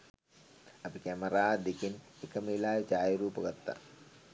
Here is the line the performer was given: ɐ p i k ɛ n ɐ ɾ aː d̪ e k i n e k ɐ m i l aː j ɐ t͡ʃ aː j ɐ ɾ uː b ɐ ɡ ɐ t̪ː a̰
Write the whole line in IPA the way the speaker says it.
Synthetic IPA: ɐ p i k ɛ m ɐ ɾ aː d̪ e k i n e k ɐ m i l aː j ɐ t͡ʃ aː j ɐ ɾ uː p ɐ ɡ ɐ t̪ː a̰